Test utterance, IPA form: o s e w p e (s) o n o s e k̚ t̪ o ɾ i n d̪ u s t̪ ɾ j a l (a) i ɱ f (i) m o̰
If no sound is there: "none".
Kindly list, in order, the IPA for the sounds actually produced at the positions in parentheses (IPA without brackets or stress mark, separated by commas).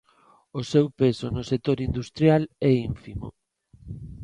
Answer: s, ɛ, i